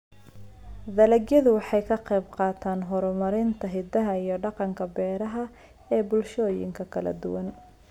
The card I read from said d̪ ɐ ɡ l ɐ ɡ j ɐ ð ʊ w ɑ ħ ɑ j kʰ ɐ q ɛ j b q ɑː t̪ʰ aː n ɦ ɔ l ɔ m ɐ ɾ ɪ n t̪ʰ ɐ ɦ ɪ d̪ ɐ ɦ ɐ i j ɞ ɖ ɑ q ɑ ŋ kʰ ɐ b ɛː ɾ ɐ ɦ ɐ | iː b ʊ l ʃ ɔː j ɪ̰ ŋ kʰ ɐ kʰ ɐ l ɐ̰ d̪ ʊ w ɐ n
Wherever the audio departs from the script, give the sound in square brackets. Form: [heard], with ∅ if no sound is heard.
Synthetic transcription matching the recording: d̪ ɐ [∅] l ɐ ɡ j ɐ ð ʊ w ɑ ħ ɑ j kʰ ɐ q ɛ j b q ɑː t̪ʰ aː n ɦ ɔ [ɾ] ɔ m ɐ ɾ ɪ n t̪ʰ ɐ ɦ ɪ d̪ ɐ ɦ ɐ i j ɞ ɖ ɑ q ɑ ŋ kʰ ɐ b ɛː ɾ ɐ ɦ ɐ | [ɛː] b ʊ l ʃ ɔː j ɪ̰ ŋ kʰ ɐ kʰ ɐ l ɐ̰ d̪ ʊ w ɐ n